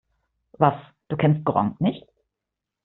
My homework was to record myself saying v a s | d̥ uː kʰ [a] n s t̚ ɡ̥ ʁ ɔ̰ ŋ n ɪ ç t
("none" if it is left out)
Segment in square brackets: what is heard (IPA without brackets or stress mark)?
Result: ɛ